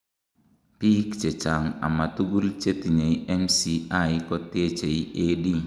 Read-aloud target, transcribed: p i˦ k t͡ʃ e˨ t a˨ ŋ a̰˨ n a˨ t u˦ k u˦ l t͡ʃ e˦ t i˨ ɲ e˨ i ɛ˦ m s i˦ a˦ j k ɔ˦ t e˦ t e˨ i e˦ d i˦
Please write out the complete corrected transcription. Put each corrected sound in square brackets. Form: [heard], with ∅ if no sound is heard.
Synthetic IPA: p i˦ k t͡ʃ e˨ [t͡ʃ] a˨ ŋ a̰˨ [m] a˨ t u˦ [ɡ] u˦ l t͡ʃ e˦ t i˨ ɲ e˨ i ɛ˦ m s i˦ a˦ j k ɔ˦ t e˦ [t͡ʃ] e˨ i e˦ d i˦